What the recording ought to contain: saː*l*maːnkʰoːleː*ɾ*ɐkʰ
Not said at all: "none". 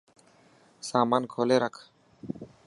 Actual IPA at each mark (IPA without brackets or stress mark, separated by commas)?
none, ɾ